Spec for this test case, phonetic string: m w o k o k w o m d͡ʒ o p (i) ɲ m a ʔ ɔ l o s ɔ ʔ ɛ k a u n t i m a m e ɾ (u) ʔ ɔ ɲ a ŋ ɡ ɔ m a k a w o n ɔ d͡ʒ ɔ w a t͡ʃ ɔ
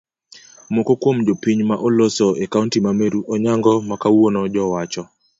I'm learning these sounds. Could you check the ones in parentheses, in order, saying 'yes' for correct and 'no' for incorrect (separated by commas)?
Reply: yes, yes